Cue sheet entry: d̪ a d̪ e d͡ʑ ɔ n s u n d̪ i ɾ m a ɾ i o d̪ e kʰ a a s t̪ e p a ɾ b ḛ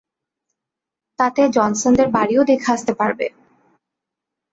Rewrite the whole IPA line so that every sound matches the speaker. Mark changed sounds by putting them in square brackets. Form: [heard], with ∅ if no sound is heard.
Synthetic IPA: [t̪] a [t̪] e d͡ʑ ɔ n s [o] n d̪ [e] ɾ [b] a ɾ i o d̪ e kʰ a a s t̪ e p a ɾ b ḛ